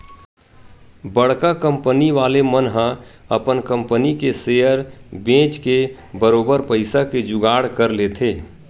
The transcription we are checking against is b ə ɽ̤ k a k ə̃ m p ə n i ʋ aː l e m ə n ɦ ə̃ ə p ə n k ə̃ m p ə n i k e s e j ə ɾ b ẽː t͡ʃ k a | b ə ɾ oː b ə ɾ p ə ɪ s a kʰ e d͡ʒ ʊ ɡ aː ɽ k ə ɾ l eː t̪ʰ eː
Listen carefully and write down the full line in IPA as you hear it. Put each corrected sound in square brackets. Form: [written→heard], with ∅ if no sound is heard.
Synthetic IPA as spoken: b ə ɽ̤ k a k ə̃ m p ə n i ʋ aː l e m ə n ɦ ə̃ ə p ə n k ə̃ m p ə n i k e s e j ə ɾ b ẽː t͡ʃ k [a→e] | b ə ɾ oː b ə ɾ p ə ɪ s a [kʰ→k] e d͡ʒ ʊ ɡ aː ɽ k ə ɾ l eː t̪ʰ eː